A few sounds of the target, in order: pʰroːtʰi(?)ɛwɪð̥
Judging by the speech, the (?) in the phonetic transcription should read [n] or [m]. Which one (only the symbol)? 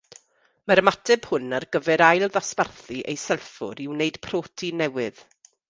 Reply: n